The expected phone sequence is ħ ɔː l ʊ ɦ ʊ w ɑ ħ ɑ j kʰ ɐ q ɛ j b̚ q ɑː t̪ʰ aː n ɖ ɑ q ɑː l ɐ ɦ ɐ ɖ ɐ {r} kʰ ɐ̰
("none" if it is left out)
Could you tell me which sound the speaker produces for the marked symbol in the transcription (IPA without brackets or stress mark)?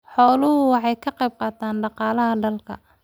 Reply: l